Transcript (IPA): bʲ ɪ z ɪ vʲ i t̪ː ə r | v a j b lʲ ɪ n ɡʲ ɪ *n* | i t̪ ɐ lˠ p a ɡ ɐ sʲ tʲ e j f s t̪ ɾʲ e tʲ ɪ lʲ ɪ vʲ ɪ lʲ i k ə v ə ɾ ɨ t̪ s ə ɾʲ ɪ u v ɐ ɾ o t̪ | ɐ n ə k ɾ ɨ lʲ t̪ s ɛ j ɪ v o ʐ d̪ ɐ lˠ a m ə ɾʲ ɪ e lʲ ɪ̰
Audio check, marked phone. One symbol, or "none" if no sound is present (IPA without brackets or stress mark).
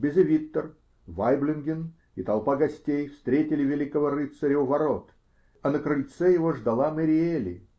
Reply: n